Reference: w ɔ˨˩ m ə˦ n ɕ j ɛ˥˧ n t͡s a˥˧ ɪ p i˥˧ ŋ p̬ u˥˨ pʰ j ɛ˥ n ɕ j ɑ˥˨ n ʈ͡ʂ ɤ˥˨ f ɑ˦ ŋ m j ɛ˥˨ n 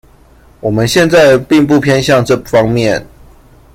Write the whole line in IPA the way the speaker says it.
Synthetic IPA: w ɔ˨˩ m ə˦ n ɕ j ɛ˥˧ n t͡s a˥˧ ɪ p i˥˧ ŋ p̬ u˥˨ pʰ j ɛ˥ n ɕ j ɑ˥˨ ŋ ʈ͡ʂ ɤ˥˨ f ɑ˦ ŋ m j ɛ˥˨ n